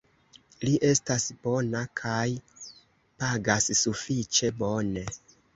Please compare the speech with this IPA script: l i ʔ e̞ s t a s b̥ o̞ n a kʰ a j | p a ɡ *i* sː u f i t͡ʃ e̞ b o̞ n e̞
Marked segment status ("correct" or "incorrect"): incorrect